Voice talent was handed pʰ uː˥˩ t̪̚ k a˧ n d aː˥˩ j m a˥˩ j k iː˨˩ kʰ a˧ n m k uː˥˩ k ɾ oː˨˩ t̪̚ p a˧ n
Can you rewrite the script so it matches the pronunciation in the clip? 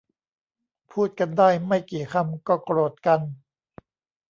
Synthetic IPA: pʰ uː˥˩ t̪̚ k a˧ n d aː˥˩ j m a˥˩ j k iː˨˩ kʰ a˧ m k ɔː˥˩ k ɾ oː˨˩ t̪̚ k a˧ n

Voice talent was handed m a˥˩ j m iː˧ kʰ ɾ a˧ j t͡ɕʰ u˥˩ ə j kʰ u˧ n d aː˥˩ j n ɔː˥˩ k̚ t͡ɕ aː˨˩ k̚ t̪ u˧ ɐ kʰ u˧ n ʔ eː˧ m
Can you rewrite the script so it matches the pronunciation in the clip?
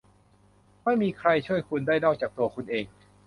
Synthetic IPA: m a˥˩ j m iː˧ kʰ ɾ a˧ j t͡ɕʰ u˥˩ ə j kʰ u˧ n d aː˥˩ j n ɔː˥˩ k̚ t͡ɕ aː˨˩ k̚ t̪ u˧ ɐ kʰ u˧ n ʔ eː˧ ŋ

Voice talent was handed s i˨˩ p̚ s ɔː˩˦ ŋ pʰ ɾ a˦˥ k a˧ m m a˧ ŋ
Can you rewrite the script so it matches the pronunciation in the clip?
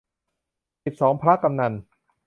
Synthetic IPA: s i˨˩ p̚ s ɔː˩˦ ŋ pʰ ɾ a˦˥ k a˧ m n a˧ n

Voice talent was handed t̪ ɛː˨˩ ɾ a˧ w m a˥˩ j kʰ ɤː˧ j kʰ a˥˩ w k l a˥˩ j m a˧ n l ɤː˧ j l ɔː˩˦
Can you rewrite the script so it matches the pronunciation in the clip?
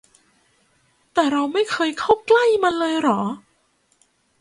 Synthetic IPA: t̪ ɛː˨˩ ɾ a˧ w m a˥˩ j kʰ ɤː˧ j kʰ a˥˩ w k l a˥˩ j m a˧ n l ɤː˧ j ɾ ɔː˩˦

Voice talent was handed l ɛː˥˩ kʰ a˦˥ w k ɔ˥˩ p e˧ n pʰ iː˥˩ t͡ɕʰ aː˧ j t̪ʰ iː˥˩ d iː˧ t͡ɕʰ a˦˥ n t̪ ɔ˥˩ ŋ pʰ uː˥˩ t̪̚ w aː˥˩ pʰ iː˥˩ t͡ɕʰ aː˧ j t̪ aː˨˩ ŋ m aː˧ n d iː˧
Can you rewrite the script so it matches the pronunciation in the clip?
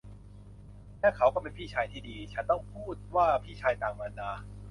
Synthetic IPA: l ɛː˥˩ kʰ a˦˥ w k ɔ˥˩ p e˧ n pʰ iː˥˩ t͡ɕʰ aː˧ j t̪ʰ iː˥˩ d iː˧ t͡ɕʰ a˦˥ n t̪ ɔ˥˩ ŋ pʰ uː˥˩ t̪̚ w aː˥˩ pʰ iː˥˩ t͡ɕʰ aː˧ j t̪ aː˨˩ ŋ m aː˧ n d aː˧

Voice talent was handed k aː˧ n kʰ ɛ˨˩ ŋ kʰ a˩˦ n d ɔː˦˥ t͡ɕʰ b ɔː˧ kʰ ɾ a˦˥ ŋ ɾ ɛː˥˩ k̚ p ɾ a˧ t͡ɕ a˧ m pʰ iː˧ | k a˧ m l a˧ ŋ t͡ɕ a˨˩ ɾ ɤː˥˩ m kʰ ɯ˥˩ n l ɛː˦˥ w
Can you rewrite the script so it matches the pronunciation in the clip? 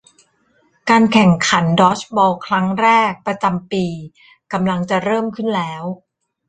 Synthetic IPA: k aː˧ n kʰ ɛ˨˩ ŋ kʰ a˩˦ n d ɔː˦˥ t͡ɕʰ b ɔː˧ kʰ ɾ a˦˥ ŋ ɾ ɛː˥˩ k̚ p ɾ a˧ t͡ɕ a˧ m p iː˧ | k a˧ m l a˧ ŋ t͡ɕ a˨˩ ɾ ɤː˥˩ m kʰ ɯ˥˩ n l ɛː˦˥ w

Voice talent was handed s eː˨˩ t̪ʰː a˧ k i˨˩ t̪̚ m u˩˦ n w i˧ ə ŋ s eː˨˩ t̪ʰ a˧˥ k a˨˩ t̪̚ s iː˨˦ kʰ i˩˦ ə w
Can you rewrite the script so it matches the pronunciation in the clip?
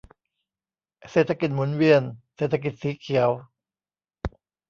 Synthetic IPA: s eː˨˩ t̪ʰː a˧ k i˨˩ t̪̚ m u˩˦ n w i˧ ə n s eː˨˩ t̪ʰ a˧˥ k i˨˩ t̪̚ s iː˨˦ kʰ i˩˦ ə w

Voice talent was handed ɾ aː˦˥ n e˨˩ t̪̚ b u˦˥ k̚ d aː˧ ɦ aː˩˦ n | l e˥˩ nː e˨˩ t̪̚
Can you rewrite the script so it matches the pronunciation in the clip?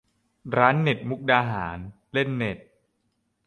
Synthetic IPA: ɾ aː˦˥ nː e˨˩ t̪̚ m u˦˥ k̚ d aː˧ ɦ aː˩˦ n | l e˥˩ nː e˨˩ t̪̚

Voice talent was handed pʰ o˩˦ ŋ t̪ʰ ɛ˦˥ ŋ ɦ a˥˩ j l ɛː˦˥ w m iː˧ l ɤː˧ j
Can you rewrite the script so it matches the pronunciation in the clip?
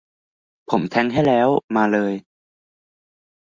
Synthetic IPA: pʰ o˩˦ m t̪ʰ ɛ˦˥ ŋ ɦ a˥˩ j l ɛː˦˥ w m aː˧ l ɤː˧ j

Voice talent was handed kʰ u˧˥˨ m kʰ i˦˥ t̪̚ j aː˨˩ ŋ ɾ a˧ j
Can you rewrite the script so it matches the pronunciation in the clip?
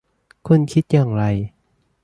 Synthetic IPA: kʰ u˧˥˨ n kʰ i˦˥ t̪̚ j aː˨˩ ŋ ɾ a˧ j

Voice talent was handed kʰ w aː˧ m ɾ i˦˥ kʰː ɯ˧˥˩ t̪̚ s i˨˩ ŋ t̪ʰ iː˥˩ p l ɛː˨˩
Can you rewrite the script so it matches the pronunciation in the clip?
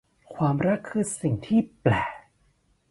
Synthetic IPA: kʰ w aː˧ m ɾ a˦˥ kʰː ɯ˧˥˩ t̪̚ s i˨˩ ŋ t̪ʰ iː˥˩ p l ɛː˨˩

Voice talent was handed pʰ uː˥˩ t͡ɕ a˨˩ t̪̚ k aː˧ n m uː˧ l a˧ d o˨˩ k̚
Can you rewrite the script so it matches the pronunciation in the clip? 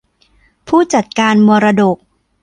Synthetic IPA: pʰ uː˥˩ t͡ɕ a˨˩ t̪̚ k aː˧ n m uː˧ ɾ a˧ d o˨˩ k̚

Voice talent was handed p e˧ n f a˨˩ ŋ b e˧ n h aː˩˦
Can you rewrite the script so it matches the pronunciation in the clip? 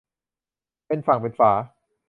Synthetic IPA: p e˧ n f a˨˩ ŋ p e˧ n f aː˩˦

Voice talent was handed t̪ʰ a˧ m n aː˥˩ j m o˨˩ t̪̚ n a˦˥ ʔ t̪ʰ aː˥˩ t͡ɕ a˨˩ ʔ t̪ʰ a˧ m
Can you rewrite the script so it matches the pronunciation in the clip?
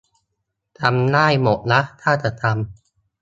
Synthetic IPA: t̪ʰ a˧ m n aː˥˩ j m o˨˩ t̪̚ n a˦˥ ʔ t̪ʰ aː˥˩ t͡ɕ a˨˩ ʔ t̪ʰ a˧ m

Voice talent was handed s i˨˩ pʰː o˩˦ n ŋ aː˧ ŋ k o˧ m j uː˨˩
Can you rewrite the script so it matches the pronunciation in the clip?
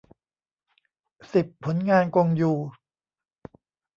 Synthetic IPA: s i˨˩ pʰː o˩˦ n ŋ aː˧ n k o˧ ŋ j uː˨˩

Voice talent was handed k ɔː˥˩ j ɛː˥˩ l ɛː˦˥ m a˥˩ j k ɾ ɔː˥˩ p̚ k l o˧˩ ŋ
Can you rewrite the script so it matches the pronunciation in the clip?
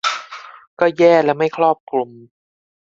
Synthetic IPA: k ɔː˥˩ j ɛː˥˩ l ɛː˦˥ m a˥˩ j kʰ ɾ ɔː˥˩ p̚ k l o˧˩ m

